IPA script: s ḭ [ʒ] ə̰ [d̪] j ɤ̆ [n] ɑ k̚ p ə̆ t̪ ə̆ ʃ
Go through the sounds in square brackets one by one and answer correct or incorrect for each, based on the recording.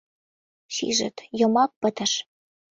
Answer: correct, incorrect: t̪, incorrect: m

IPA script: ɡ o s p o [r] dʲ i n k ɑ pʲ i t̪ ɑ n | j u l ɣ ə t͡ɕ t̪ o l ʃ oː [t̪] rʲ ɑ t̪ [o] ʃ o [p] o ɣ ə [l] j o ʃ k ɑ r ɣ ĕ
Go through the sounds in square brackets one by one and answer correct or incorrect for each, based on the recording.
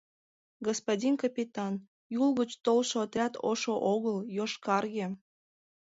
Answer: incorrect: none, correct, correct, incorrect: ʔ, correct

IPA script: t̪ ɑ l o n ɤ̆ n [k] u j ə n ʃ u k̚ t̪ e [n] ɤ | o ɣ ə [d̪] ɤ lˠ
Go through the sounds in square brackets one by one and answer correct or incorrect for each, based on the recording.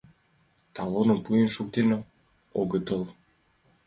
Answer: incorrect: p, correct, incorrect: t̪

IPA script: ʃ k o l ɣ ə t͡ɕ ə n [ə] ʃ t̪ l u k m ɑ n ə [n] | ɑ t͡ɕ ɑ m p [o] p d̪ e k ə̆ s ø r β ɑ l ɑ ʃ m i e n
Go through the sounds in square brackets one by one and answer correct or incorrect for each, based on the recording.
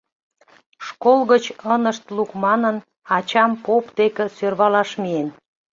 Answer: correct, correct, correct

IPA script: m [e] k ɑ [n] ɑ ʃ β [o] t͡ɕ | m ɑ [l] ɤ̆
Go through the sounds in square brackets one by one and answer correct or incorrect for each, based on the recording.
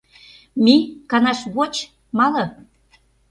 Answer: incorrect: i, correct, correct, correct

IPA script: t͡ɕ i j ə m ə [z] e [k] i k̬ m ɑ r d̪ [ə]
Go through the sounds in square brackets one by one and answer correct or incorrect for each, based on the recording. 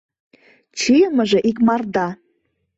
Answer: incorrect: ʒ, incorrect: ʔ, incorrect: ɑ

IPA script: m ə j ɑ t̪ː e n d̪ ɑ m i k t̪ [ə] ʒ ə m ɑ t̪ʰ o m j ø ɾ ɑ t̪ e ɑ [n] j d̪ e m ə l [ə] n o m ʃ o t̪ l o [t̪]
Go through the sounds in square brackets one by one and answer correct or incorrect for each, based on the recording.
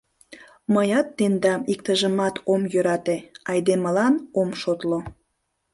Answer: correct, incorrect: none, incorrect: ɑ, incorrect: none

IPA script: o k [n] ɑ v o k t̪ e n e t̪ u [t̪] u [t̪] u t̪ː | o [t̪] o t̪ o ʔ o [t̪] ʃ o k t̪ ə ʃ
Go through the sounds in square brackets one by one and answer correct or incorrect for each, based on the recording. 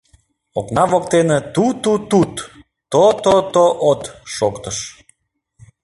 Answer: correct, correct, correct, correct, correct

